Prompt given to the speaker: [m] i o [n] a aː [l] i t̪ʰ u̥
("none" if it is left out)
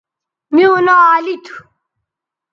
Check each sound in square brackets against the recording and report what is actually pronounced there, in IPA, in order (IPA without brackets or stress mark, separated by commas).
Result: m, n, l